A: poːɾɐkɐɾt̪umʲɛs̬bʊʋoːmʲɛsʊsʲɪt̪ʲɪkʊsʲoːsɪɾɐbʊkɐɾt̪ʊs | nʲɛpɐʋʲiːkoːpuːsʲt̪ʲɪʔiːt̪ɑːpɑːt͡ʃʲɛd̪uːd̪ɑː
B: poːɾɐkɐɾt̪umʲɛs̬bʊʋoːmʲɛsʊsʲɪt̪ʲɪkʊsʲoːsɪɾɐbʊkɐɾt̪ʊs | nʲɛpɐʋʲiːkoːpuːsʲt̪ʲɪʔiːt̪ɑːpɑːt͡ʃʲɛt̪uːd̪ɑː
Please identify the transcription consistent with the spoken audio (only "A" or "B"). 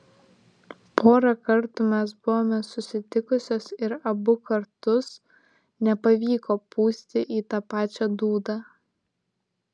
A